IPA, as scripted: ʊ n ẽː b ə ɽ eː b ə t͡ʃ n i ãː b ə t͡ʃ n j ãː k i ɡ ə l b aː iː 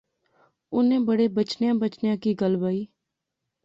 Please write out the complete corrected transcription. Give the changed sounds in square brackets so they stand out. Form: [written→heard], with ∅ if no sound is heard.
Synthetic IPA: ʊ n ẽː b ə ɽ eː b ə t͡ʃ n [i→j] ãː b ə t͡ʃ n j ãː k i ɡ ə l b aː iː